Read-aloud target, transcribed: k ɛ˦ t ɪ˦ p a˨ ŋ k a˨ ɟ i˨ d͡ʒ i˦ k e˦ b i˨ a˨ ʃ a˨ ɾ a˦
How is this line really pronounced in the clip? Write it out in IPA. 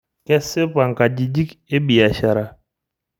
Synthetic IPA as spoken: k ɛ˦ s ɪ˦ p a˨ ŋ k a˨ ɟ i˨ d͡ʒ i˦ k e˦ b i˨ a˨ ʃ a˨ ɾ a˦